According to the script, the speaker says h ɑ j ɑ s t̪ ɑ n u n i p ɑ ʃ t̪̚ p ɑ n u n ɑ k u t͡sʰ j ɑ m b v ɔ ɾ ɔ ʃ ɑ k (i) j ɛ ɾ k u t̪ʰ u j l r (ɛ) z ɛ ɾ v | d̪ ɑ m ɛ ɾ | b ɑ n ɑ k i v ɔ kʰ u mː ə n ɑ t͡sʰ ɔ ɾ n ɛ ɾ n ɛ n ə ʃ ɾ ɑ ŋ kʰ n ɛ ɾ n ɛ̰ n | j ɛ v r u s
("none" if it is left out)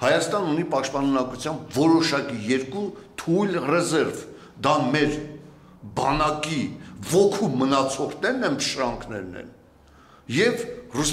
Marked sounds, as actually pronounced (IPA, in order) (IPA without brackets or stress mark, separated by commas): i, ɛ